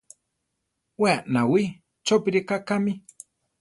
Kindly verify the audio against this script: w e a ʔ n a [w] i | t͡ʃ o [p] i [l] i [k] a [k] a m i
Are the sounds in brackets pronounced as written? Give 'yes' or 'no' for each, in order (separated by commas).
yes, yes, no, yes, yes